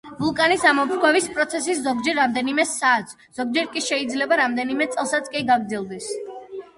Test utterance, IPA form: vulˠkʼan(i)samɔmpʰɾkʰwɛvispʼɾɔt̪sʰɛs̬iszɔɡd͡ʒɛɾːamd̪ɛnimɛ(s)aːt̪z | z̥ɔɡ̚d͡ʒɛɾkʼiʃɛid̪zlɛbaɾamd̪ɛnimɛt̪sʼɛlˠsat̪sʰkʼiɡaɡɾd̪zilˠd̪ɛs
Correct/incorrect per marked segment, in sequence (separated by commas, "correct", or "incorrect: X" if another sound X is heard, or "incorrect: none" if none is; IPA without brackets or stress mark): correct, correct